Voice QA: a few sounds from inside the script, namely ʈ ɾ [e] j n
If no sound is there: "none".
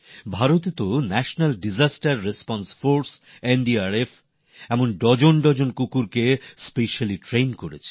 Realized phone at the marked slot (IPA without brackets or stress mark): e